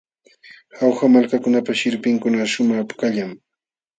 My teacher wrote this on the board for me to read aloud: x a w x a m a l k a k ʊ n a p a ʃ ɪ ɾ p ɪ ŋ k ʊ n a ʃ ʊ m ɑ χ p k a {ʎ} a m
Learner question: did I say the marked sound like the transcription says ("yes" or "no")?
yes